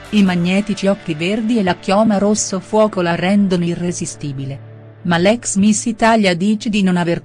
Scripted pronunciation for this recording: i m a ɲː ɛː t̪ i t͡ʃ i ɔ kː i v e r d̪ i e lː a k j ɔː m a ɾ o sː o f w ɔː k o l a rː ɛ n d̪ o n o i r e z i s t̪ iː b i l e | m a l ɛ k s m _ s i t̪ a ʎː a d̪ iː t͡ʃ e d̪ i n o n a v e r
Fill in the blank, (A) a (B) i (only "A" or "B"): B